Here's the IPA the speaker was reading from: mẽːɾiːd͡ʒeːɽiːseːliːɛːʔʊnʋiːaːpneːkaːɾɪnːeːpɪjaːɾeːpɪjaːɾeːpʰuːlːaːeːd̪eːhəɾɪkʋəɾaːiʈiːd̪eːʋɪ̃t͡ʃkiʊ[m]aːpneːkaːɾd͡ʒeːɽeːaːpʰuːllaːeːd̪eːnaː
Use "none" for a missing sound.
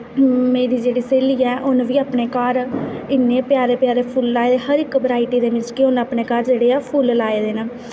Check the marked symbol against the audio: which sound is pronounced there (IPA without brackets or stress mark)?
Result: n